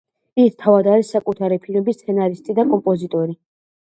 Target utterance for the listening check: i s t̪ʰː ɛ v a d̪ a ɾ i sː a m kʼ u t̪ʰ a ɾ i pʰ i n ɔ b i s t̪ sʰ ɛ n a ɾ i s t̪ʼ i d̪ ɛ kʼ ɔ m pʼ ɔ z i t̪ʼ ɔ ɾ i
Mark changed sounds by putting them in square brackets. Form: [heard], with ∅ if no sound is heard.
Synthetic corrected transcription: i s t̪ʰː [a] v a d̪ a ɾ i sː a [∅] kʼ u t̪ʰ a ɾ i pʰ i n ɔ b i s t̪ sʰ ɛ n a ɾ i s t̪ʼ i d̪ [a] kʼ ɔ m pʼ ɔ z i t̪ʼ ɔ ɾ i